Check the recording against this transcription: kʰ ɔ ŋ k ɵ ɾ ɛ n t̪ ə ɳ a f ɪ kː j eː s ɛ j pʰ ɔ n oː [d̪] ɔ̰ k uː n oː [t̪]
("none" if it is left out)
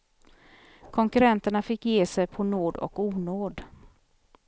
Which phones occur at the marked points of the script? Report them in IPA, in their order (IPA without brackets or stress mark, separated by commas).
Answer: d̪, d̪